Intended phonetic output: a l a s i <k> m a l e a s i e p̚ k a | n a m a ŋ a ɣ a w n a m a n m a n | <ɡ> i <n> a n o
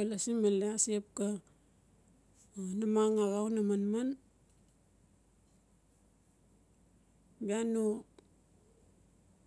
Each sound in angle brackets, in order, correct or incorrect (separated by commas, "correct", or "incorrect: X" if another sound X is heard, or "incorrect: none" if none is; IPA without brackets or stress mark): incorrect: none, incorrect: b, incorrect: none